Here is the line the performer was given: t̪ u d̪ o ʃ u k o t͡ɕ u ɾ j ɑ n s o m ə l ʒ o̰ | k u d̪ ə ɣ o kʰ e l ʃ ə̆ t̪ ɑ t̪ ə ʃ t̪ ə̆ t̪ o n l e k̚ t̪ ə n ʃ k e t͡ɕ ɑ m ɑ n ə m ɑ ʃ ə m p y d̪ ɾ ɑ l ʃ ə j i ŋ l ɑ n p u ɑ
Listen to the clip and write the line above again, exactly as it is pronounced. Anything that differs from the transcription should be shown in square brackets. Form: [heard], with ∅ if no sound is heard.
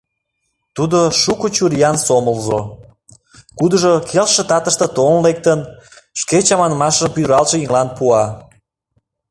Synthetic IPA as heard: t̪ u d̪ o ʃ u k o t͡ɕ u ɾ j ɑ n s o m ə l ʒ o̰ | k u d̪ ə [ʒ] o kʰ e l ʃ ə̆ t̪ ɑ t̪ ə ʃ t̪ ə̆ t̪ o n l e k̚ t̪ ə n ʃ k e t͡ɕ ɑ m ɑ n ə m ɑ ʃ ə m p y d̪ ɾ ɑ l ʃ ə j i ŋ l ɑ n p u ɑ

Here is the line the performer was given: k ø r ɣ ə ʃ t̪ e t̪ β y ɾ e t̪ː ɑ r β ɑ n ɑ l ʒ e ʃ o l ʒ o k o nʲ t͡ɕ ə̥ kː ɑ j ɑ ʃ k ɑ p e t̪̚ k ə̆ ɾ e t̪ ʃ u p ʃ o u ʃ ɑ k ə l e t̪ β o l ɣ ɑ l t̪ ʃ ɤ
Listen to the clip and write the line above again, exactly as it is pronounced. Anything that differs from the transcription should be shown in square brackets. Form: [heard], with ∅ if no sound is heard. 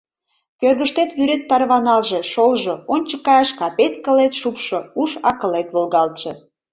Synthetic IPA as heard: k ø r ɣ ə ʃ t̪ e t̪ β y ɾ e t̪ː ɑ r β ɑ n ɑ l ʒ e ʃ o l ʒ o [∅] o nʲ t͡ɕ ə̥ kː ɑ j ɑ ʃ k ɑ p e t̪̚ k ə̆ [l] e t̪ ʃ u p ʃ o u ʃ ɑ k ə l e t̪ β o l ɣ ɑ l t̪ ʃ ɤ

